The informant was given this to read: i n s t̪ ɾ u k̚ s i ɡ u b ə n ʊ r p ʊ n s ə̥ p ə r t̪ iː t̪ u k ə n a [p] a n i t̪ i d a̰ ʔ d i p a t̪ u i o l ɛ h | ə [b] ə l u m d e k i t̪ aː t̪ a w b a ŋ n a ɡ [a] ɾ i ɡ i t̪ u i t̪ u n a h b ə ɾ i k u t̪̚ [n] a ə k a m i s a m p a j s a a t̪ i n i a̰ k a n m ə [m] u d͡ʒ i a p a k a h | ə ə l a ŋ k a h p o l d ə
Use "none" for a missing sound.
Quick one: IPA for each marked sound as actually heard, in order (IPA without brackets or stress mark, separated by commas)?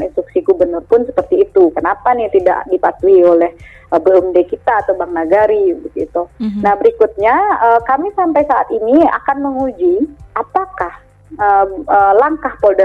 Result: p, b, a, ɲ, ŋ